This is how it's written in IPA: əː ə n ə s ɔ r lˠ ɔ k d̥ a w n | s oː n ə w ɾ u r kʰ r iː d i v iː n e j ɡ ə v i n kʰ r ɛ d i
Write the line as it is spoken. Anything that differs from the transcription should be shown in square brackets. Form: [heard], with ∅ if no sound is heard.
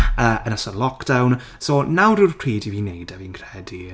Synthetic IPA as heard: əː ə n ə s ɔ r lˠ ɔ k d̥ a w n | s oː n [a] w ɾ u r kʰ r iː d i v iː n e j [d] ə v i n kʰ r ɛ d i

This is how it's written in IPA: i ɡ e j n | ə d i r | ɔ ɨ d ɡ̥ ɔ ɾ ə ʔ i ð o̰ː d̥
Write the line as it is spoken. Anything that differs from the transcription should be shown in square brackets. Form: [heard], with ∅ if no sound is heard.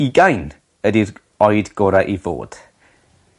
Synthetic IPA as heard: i ɡ [a] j n | ə d i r | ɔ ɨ d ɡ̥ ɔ ɾ [a] ʔ i [v] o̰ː d̥

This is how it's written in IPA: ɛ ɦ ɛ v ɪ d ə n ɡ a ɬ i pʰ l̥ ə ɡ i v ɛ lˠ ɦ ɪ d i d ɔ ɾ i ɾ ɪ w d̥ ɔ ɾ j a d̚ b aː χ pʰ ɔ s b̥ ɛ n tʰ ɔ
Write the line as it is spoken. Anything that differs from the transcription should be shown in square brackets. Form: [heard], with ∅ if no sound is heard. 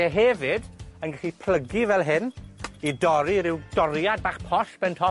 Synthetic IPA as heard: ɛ ɦ ɛ v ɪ d ə n ɡ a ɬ i pʰ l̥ ə ɡ i v ɛ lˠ ɦ ɪ [n] i d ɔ ɾ i ɾ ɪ w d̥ ɔ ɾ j a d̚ b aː χ pʰ ɔ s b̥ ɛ n tʰ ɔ

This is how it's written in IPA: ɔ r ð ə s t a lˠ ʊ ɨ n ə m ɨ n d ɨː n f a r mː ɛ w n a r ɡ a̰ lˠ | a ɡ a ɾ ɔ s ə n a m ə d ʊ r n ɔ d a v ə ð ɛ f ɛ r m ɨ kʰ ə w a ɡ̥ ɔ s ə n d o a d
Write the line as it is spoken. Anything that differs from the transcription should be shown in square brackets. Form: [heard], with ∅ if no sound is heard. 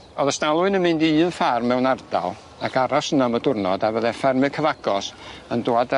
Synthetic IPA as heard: ɔ [∅] ð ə s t a lˠ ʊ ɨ n ə m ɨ n d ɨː n f a r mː ɛ w n a r [d] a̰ lˠ | a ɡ a ɾ ɔ s ə n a m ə d ʊ r n ɔ d a v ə ð ɛ f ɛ r m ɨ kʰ ə [v] a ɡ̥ ɔ s ə n d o a d

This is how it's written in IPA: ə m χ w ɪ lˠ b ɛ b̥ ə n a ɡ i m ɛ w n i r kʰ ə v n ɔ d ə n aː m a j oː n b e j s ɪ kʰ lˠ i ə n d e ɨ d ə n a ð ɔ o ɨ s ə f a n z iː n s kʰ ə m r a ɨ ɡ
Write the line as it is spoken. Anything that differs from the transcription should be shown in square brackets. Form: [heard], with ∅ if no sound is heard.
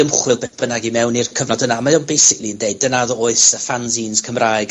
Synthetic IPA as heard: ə m χ w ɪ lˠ b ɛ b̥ ə n a ɡ i m ɛ w n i r kʰ ə v n ɔ d ə n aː m a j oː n b e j s ɪ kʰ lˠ i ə n d e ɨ d ə n a ð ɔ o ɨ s ə f a n z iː n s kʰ ə m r a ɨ ɡ

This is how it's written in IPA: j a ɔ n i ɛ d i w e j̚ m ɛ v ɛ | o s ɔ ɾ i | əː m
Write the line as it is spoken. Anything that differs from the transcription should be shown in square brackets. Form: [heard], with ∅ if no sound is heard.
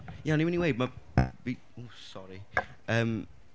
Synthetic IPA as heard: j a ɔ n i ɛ [n] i w e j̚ m [a] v [i] | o s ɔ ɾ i | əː m

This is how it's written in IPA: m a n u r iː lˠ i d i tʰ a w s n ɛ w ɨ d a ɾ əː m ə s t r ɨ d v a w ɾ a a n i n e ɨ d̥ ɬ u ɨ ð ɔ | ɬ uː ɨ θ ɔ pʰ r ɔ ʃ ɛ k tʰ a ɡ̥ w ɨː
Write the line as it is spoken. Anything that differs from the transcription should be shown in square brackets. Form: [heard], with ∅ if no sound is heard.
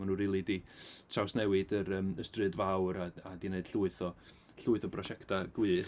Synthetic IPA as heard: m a n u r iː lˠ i d i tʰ a w s n ɛ w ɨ d [ə] ɾ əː m ə s t r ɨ d v a w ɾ a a [d] i n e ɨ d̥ ɬ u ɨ [θ] ɔ | ɬ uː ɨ θ ɔ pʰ r ɔ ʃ ɛ k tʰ a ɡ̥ w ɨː

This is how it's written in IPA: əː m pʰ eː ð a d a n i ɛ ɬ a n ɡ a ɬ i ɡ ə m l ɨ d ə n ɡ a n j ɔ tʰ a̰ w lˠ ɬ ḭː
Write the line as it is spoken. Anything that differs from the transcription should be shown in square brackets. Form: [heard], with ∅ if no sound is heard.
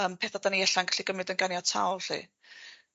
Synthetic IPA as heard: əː m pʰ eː [θ] a d a n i ɛ ɬ a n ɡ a ɬ i ɡ ə m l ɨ d ə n ɡ a n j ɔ tʰ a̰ w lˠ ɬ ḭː

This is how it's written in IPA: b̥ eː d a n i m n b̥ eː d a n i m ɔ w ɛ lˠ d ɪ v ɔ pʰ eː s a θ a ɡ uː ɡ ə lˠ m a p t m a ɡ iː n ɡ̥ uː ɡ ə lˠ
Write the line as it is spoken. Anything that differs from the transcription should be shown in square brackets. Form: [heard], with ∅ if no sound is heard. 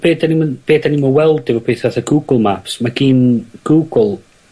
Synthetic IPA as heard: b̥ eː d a n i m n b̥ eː d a n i m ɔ w ɛ lˠ d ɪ v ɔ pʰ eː [θ] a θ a ɡ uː ɡ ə lˠ m a p [s] m a ɡ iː n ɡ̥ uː ɡ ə lˠ

